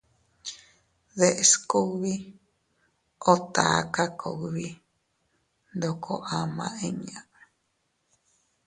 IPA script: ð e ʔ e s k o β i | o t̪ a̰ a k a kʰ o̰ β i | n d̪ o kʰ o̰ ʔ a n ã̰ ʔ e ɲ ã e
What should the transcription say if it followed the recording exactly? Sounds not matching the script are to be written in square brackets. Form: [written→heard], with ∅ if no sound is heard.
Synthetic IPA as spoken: ð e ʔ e s k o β i | o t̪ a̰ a k a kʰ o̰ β i | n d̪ o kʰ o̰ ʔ a [n→m] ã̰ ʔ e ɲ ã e